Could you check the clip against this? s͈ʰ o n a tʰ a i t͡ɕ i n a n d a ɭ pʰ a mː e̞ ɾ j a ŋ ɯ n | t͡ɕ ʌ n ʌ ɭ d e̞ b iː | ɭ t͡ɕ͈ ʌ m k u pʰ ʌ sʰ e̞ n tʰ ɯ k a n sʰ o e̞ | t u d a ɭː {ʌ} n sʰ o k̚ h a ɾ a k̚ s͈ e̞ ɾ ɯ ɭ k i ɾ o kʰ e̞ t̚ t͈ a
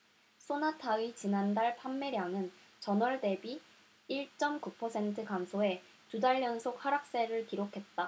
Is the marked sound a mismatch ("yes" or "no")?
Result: no